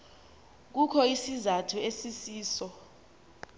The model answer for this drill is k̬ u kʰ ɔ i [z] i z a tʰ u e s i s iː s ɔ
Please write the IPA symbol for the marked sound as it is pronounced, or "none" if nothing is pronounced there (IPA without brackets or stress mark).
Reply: s